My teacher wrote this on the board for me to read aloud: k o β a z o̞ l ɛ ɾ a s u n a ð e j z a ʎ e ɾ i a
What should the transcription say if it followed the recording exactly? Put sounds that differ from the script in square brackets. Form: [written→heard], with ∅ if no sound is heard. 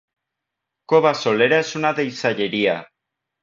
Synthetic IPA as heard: k o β a [z→s] o̞ l [ɛ→e] ɾ a s u n a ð e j [z→s] a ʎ e ɾ i a